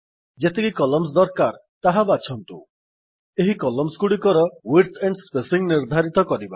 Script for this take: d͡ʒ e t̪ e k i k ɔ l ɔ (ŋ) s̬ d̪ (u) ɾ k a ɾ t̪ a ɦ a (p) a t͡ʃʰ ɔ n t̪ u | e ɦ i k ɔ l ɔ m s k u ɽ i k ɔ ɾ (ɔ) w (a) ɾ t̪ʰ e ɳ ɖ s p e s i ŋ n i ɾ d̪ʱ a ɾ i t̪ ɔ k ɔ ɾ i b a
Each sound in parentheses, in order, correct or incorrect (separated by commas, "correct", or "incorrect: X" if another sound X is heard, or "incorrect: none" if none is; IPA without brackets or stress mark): incorrect: m, incorrect: ɔ, incorrect: b, correct, incorrect: i